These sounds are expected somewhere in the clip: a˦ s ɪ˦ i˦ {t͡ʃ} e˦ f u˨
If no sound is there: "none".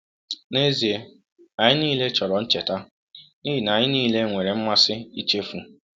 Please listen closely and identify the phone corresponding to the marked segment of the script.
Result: t͡ʃ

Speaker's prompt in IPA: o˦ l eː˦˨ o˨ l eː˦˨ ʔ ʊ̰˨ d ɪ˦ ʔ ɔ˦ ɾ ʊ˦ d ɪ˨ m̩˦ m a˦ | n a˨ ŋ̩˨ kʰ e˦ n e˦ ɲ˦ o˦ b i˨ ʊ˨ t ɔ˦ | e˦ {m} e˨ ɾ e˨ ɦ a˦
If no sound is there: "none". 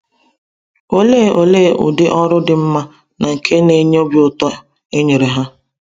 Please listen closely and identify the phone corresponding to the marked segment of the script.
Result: ɲ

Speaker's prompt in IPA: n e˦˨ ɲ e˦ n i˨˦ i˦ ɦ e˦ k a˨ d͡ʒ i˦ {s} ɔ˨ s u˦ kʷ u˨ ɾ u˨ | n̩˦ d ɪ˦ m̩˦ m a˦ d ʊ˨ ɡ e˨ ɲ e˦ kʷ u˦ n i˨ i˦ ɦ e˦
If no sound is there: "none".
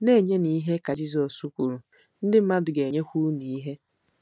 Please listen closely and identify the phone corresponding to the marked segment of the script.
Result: z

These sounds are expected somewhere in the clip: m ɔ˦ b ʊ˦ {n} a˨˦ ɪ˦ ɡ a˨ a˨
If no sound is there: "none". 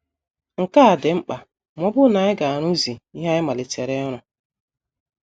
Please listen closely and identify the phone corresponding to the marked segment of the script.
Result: n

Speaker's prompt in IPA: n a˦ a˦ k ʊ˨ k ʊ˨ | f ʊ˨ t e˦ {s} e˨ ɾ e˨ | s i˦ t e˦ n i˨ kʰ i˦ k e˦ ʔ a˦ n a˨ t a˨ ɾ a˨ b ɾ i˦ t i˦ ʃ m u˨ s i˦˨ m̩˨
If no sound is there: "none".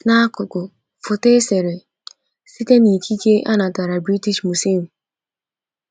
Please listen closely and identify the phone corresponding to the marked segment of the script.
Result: s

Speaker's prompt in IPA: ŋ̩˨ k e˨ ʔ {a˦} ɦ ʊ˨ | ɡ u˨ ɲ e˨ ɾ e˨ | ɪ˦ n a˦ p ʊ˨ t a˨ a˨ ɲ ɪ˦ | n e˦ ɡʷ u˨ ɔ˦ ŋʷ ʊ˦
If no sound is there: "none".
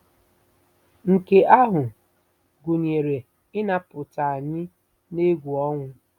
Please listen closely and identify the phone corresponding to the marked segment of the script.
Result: a˦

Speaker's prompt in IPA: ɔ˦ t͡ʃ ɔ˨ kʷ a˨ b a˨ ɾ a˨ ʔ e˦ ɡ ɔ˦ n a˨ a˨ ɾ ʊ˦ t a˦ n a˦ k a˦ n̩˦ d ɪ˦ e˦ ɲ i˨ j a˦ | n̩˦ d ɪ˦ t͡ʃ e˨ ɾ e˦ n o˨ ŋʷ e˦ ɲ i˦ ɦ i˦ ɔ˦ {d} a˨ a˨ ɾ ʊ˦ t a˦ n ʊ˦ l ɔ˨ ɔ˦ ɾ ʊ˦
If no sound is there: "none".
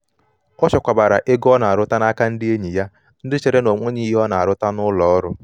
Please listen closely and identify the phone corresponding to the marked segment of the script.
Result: n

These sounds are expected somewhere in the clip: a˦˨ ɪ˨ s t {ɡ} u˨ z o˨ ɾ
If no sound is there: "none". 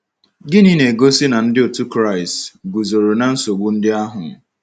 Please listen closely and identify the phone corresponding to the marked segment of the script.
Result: ɡ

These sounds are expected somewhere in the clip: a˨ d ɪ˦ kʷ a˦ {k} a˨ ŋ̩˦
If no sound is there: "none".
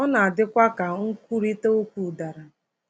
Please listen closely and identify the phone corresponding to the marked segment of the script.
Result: k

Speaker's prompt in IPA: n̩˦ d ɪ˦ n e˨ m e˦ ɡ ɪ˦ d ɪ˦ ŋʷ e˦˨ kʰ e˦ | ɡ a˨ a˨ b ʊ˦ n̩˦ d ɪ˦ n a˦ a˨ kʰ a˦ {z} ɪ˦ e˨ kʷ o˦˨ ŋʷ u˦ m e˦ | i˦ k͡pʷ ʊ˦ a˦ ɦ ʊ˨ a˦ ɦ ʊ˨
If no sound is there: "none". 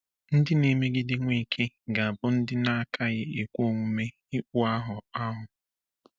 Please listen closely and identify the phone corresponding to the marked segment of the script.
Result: ɣ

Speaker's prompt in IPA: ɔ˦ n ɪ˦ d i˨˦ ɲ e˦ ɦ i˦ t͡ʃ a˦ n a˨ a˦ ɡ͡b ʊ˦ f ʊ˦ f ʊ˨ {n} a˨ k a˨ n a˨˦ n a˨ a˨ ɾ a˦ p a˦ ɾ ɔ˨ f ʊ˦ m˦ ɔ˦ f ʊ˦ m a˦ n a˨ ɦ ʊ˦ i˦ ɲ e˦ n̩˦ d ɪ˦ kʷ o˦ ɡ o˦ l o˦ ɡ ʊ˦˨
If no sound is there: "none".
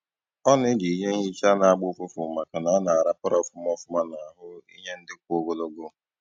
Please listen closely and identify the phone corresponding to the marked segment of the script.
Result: m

